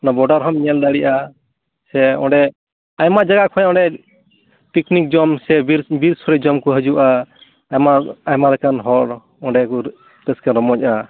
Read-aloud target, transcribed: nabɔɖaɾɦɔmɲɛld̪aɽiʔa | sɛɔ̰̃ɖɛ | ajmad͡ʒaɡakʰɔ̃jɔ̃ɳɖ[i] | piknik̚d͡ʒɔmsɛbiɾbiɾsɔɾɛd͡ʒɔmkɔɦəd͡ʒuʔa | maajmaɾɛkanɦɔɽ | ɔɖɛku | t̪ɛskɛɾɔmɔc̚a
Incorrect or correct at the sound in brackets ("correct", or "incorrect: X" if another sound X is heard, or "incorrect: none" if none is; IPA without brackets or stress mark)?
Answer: incorrect: ɛ